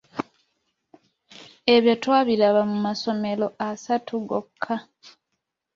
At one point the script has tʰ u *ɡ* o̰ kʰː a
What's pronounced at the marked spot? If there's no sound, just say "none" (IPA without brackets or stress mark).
ɡ